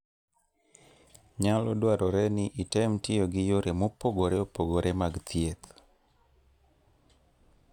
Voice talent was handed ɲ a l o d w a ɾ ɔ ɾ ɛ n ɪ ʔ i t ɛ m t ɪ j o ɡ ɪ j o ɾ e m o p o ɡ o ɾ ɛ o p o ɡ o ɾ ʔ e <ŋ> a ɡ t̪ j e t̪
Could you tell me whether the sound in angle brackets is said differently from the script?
yes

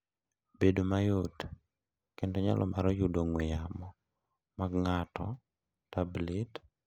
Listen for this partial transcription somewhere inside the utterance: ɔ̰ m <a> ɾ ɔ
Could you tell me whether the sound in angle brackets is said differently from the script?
no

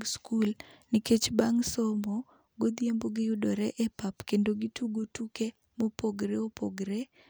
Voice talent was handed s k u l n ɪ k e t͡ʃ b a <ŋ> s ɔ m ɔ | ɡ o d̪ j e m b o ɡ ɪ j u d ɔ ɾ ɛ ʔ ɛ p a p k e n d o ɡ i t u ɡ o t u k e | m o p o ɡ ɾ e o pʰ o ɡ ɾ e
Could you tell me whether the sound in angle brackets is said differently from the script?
no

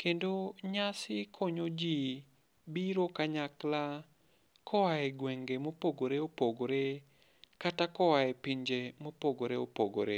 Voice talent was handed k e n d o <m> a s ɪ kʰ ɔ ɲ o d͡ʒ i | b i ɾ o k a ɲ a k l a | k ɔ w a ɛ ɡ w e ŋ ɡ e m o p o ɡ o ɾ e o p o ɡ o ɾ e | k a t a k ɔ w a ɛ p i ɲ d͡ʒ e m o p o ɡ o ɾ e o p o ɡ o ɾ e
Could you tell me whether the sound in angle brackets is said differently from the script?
yes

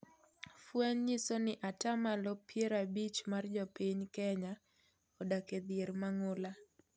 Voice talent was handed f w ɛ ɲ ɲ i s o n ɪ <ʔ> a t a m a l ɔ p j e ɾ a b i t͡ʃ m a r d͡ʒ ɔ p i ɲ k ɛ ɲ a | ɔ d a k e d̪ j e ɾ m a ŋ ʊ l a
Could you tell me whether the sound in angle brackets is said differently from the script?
no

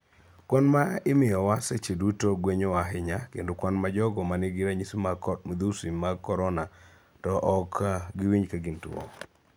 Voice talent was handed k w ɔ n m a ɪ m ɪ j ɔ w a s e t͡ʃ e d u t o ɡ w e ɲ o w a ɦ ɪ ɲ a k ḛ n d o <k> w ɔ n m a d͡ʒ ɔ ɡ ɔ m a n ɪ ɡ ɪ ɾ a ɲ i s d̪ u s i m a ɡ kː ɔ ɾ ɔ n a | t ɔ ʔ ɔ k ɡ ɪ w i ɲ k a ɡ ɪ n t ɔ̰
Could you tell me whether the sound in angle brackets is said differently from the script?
no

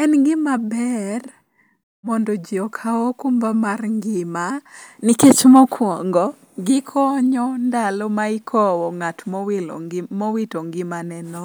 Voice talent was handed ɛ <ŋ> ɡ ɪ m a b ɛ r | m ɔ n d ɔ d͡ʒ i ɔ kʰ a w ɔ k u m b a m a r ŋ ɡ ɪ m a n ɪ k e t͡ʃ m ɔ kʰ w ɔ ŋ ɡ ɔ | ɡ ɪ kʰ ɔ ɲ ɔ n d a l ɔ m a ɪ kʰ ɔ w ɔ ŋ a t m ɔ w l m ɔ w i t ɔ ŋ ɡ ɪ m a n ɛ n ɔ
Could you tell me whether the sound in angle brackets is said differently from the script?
yes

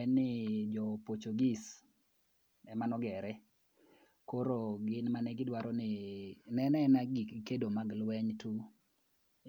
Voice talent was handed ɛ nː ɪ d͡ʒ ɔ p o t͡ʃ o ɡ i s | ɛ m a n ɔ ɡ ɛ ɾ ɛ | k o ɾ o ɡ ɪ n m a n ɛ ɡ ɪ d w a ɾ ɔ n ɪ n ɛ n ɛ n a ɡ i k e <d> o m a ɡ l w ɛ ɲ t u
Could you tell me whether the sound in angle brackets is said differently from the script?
no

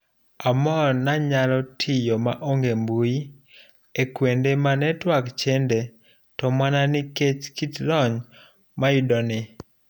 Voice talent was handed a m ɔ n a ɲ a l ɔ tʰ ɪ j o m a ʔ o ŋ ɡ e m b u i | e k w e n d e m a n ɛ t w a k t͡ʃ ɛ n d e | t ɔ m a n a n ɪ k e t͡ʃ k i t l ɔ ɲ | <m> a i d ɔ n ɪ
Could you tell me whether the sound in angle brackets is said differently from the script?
no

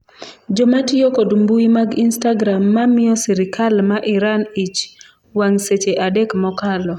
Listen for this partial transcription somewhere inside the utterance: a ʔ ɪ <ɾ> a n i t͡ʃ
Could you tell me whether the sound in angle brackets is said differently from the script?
no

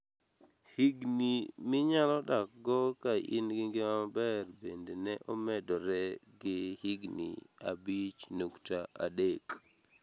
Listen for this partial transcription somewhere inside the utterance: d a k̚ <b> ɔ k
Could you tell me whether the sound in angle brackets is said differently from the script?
yes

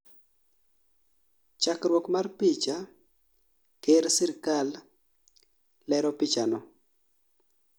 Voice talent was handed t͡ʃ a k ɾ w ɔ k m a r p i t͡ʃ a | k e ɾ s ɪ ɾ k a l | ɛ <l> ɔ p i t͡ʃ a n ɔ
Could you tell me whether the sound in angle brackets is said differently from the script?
yes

